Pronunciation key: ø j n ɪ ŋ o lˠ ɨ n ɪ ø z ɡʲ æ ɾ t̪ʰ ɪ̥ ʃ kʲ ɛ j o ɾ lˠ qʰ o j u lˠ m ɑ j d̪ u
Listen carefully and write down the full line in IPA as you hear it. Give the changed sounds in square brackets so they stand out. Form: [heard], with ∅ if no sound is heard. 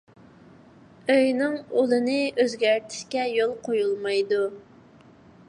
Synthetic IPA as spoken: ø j n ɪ ŋ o lˠ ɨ n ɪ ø z ɡʲ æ ɾ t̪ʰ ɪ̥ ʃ kʲ ɛ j o [∅] lˠ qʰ o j u lˠ m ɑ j d̪ u